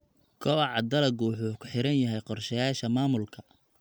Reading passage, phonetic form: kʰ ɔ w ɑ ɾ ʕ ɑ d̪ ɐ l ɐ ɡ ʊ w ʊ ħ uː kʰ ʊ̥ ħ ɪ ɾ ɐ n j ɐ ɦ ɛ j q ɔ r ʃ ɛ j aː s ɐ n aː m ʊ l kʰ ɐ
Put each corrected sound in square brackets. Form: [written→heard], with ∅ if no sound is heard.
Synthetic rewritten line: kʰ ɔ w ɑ [ɾ→∅] ʕ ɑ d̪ ɐ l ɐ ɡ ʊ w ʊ ħ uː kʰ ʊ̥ ħ ɪ ɾ ɐ n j ɐ ɦ ɛ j q ɔ r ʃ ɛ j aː [s→ʃ] ɐ [n→m] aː m ʊ l kʰ ɐ